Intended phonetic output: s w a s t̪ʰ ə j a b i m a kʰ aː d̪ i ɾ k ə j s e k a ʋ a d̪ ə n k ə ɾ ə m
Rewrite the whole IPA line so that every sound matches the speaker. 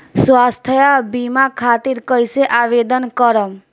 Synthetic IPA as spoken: s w a s t̪ʰ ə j a b i m a kʰ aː t̪ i ɾ k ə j s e ʔ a ʋ e d̪ ə n k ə ɾ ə m